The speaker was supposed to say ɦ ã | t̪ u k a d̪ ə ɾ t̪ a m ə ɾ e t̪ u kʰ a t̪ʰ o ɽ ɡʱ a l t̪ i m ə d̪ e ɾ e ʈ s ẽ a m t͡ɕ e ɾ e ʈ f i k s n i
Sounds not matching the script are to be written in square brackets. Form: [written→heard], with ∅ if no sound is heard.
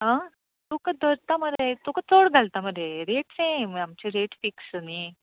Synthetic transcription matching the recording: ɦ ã | t̪ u k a d̪ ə ɾ t̪ a m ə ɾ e t̪ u [kʰ→k] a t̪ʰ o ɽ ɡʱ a l t̪ [i→a] m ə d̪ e ɾ e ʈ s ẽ a m t͡ɕ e ɾ e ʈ f i k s n i